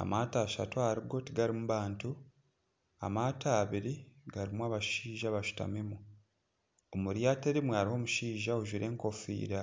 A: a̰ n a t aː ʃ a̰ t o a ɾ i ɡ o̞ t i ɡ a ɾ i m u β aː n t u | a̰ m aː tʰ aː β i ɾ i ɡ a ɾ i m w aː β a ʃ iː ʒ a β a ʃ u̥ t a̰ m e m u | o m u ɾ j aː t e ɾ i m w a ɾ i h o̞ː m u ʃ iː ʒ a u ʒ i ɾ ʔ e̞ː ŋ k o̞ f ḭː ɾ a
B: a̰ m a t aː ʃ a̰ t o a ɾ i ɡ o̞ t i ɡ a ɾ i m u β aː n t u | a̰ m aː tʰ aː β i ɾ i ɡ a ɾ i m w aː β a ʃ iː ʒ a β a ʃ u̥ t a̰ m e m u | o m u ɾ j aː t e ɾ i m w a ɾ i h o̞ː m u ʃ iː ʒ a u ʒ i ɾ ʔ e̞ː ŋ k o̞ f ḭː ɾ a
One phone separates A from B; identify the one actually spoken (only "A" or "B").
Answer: B